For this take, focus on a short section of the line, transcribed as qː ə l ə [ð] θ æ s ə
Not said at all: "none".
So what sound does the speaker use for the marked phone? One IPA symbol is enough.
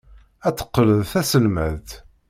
ð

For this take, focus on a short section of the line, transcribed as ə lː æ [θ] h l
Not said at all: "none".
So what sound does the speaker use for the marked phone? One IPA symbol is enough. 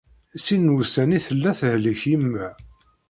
θ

